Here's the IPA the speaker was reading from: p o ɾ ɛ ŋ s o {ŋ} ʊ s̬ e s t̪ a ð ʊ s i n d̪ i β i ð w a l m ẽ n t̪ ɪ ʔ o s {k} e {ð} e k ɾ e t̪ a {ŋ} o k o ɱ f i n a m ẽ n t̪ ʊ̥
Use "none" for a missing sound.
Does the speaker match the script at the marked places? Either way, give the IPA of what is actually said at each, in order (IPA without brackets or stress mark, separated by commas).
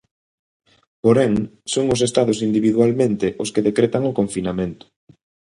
ŋ, k, ð, ŋ